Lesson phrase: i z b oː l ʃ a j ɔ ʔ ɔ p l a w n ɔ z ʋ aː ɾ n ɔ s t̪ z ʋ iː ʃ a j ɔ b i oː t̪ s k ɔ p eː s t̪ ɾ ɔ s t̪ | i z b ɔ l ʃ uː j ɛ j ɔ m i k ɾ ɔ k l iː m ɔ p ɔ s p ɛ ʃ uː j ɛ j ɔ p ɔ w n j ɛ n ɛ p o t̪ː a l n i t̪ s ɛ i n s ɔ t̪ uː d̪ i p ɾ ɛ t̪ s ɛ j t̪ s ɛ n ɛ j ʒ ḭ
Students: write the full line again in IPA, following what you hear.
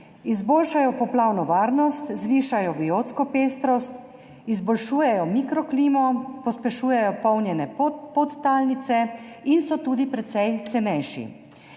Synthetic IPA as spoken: i z b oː l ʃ a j ɔ p ɔ p l a w n ɔ ʋ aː ɾ n ɔ s t̪ z ʋ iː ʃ a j ɔ b i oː t̪ s k ɔ p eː s t̪ ɾ ɔ s t̪ | i z b ɔ l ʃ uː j ɛ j ɔ m i k ɾ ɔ k l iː m ɔ p ɔ s p ɛ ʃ uː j ɛ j ɔ p ɔ w n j ɛ n ɛ p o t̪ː a l n i t̪ s ɛ i n s ɔ t̪ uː d̪ i p ɾ ɛ t̪ s ɛ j t̪ s ɛ n ɛ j ʃ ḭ